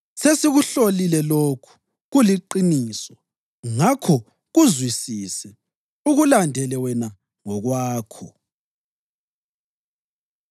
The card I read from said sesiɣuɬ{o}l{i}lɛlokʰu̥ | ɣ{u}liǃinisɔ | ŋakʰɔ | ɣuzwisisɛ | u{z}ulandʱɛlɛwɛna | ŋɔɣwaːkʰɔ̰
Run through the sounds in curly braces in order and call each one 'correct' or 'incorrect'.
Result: correct, correct, correct, incorrect

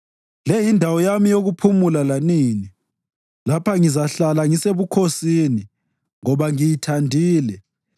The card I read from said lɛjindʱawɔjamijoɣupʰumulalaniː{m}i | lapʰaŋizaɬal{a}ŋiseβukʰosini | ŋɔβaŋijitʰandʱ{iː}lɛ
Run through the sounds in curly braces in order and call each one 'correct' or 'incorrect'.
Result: incorrect, correct, correct

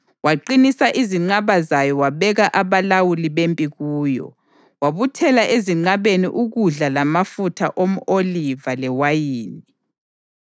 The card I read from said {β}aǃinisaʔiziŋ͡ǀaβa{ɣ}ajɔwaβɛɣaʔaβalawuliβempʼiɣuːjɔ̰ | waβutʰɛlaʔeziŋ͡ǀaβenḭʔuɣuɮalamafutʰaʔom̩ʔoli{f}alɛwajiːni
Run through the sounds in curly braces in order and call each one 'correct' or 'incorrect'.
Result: incorrect, incorrect, incorrect

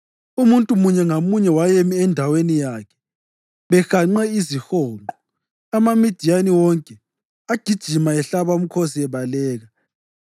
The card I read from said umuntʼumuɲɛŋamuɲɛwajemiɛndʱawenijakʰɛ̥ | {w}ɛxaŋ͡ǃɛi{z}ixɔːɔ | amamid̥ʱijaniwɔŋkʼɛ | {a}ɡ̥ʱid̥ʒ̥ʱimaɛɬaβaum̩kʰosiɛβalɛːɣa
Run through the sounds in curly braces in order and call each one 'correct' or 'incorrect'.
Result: incorrect, correct, correct

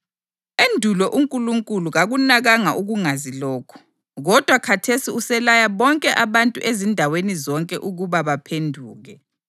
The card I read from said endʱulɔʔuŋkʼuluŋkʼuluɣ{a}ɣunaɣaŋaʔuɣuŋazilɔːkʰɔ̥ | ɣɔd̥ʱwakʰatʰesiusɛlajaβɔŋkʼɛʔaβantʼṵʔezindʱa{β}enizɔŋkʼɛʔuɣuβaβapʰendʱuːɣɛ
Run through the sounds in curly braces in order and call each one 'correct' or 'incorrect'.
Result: correct, incorrect

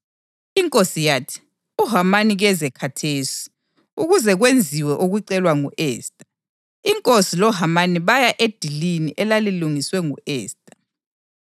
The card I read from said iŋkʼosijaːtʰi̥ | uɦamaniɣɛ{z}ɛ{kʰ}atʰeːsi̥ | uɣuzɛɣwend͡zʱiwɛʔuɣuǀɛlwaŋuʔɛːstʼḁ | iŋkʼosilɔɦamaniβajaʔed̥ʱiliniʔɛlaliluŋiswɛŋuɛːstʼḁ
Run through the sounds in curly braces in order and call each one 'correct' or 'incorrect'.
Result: correct, correct

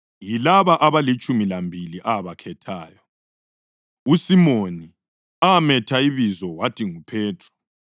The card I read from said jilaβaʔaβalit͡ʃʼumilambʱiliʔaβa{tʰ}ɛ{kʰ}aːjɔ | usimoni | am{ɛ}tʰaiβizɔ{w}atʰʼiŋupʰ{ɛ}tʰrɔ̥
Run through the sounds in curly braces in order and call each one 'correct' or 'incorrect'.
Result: incorrect, incorrect, correct, correct, incorrect

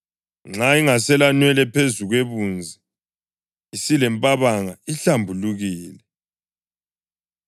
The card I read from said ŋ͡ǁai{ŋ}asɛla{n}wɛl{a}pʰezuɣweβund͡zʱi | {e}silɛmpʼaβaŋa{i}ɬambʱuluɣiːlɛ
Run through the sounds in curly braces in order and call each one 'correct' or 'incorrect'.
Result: correct, correct, incorrect, incorrect, correct

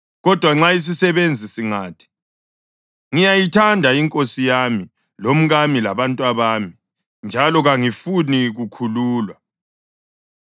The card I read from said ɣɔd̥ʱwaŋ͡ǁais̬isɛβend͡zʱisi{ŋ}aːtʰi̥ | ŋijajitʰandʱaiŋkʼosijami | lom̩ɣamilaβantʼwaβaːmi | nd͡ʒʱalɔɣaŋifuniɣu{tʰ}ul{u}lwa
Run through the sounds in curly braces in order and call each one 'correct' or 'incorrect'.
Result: correct, incorrect, incorrect

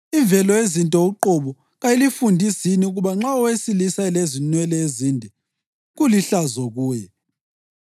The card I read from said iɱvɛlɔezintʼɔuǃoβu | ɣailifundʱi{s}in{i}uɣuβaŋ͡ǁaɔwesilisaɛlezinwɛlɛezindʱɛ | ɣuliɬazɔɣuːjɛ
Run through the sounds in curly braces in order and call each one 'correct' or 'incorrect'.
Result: correct, correct

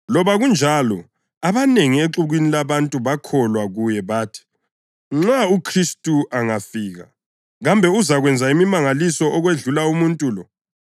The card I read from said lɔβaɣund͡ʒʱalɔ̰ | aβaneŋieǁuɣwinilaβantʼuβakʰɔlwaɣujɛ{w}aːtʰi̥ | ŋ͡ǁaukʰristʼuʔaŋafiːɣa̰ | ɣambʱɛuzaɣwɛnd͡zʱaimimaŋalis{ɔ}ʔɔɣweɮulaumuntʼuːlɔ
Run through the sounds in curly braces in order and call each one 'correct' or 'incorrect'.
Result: incorrect, correct

